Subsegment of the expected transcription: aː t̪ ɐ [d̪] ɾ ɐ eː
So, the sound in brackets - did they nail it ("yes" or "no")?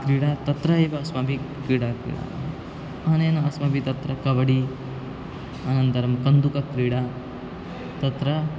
no